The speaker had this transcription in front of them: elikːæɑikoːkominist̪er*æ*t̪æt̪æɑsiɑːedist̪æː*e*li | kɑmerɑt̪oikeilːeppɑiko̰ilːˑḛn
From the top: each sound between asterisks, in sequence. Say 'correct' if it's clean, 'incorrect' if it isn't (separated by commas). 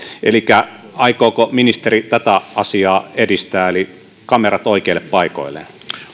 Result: incorrect, correct